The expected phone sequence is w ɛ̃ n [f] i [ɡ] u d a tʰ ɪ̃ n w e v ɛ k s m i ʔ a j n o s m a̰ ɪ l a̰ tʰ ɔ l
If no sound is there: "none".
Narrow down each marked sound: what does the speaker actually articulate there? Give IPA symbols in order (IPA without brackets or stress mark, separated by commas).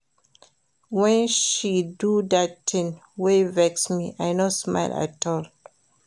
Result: ʃ, d